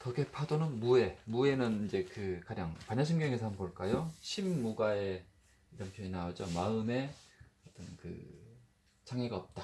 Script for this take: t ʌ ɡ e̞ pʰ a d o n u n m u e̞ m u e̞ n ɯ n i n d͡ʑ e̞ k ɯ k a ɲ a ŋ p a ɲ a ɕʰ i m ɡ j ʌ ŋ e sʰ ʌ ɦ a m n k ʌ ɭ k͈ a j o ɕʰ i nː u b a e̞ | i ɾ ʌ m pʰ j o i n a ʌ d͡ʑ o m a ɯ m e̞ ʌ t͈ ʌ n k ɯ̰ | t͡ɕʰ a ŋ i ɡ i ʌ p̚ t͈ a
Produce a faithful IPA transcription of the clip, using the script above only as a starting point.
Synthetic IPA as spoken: t ʌ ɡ e̞ pʰ a d o n ɯ n m u e̞ m u e̞ n ɯ n i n d͡ʑ e̞ k ɯ k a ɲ a ŋ p a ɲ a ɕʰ i m ɡ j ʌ ŋ e sʰ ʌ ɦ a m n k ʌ ɭ k͈ a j o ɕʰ i mː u ɡ a e̞ | i ɾ ʌ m pʰ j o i n a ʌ d͡ʑ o m a ɯ m e̞ ʌ t͈ ʌ n k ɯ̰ | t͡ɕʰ a ŋ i ɡ a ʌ p̚ t͈ a